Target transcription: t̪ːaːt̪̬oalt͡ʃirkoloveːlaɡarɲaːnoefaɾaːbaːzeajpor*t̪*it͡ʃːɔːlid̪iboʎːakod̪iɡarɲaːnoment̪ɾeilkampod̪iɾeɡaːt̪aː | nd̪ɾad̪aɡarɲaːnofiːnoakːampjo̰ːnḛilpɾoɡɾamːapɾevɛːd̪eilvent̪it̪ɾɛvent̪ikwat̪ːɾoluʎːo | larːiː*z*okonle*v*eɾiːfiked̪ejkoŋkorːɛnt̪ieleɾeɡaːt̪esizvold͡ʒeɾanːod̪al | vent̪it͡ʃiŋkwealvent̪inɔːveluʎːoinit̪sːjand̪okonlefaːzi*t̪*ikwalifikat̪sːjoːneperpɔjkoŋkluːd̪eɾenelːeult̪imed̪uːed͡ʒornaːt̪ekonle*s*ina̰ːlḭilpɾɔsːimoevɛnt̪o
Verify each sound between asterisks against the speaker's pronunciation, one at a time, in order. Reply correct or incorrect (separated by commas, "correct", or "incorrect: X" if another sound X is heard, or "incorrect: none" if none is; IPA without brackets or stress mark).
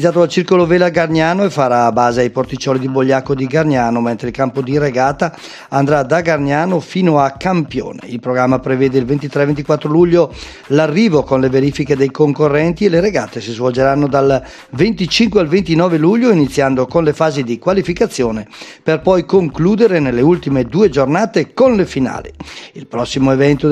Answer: correct, incorrect: v, correct, incorrect: d̪, incorrect: f